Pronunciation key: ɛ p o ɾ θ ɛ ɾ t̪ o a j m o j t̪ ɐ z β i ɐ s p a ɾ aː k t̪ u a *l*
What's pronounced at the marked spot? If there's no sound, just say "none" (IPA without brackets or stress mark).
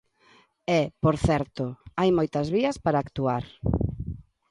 ɾ